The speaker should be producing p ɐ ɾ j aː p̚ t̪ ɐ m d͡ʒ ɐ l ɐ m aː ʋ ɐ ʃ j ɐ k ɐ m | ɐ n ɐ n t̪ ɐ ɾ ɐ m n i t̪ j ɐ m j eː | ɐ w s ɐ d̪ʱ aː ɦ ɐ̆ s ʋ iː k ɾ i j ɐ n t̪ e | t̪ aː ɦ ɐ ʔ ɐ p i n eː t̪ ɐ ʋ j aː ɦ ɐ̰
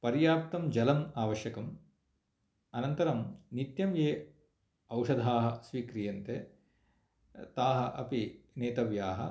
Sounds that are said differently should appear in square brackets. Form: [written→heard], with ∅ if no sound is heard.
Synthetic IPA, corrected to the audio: p ɐ ɾ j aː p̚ t̪ ɐ m d͡ʒ ɐ l ɐ m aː ʋ ɐ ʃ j ɐ k ɐ m | ɐ n ɐ n t̪ ɐ ɾ ɐ m n i t̪ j ɐ m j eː | ɐ w [s→ʂ] ɐ d̪ʱ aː ɦ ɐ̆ s ʋ iː k ɾ i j ɐ n t̪ e | t̪ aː ɦ ɐ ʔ ɐ p i n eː t̪ ɐ ʋ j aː ɦ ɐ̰